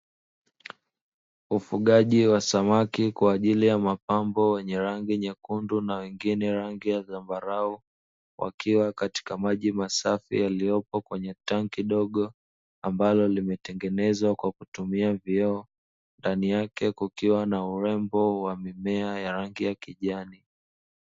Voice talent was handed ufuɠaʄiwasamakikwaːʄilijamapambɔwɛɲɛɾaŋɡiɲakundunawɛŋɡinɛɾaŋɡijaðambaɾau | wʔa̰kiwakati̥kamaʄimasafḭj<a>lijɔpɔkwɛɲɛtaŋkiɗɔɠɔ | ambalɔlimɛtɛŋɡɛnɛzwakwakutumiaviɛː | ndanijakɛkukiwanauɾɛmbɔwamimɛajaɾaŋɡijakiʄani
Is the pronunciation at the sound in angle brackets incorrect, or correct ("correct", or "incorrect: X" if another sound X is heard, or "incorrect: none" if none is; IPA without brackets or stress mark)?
correct